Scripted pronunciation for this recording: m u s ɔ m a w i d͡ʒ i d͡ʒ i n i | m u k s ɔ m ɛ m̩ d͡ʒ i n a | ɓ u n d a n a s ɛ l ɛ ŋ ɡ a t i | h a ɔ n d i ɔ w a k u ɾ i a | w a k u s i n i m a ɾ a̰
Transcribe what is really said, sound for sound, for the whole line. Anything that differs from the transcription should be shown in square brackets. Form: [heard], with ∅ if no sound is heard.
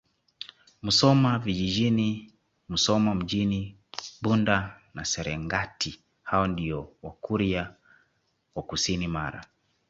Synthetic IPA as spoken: m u s ɔ m a [v] i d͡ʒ i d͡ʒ i n i | m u [∅] s ɔ m [a] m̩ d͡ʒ i n [i] | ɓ u n d a n a s ɛ [ɾ] ɛ ŋ ɡ a t i | h a ɔ n d i ɔ w a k u ɾ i a | w a k u s i n i m a ɾ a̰